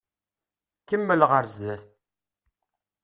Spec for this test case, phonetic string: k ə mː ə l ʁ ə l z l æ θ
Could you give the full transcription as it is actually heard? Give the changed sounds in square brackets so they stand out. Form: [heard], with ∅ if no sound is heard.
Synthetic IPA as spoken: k ə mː ə l ʁ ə [ɾ] z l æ θ